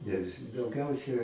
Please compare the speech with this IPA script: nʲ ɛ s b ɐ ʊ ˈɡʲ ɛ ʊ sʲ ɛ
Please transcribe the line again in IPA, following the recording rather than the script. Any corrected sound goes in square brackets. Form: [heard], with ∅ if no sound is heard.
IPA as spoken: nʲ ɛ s [d] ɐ ʊ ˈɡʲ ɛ ʊ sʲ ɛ